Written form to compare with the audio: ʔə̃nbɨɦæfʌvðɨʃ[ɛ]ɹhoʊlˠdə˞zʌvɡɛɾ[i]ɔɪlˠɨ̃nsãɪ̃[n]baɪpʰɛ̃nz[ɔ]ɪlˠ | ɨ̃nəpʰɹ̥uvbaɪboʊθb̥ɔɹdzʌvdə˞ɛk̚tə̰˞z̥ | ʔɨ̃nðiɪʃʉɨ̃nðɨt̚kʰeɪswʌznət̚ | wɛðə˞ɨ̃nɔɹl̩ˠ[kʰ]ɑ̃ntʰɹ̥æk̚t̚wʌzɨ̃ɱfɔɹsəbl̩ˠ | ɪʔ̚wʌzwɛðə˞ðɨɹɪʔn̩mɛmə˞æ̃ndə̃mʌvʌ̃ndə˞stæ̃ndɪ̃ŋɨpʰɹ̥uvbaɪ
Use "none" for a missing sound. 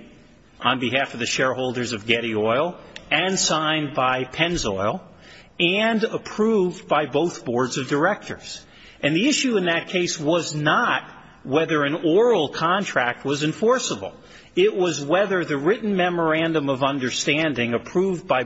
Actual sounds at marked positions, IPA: ɛ, i, n, ɔ, kʰ

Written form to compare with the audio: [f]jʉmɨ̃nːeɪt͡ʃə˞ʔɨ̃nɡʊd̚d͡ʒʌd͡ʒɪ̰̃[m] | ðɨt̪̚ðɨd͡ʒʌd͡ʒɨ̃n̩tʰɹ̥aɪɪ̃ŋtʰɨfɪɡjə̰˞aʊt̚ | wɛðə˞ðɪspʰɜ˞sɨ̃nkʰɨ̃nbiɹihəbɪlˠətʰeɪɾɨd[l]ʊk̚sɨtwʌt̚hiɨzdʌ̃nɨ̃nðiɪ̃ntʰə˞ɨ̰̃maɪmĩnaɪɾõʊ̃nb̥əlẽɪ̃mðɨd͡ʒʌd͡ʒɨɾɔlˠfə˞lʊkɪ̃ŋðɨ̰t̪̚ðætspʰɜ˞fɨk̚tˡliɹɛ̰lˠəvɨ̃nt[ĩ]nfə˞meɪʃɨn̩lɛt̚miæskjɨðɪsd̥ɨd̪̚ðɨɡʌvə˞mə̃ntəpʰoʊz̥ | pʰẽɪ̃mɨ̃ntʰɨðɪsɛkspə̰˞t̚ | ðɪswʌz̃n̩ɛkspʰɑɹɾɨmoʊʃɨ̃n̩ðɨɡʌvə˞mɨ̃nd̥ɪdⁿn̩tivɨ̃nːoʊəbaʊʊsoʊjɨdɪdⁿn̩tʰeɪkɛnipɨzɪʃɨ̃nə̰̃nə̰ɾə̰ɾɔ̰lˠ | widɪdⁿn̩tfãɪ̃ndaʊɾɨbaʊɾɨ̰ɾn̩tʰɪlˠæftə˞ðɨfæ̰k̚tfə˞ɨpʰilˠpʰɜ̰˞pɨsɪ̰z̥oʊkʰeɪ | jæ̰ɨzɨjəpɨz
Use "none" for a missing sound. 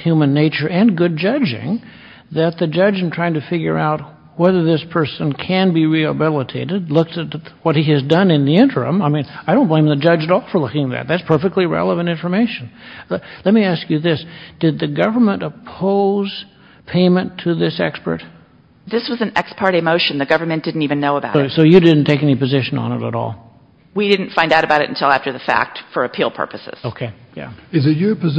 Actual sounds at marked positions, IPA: h, ŋ, l, ɪ̃

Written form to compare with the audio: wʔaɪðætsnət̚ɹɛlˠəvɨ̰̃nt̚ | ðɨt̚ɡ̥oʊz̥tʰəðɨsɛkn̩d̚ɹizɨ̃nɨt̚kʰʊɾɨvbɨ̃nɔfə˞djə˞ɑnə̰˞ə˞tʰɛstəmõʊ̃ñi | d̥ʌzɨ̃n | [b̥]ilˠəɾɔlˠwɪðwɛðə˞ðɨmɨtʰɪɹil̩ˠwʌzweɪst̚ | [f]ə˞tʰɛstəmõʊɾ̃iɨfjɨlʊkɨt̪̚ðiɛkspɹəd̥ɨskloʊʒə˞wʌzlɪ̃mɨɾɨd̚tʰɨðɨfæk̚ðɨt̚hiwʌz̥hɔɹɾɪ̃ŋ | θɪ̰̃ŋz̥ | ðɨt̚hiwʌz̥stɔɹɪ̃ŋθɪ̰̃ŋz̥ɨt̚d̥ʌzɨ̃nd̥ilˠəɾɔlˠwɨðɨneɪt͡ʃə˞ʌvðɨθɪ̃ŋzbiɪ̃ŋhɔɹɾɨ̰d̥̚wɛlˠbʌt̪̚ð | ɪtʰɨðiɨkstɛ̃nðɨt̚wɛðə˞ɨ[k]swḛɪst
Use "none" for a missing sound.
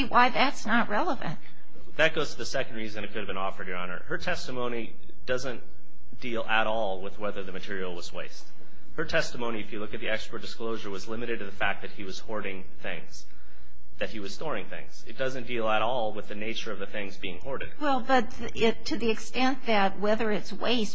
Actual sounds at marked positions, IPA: d̥, h, t

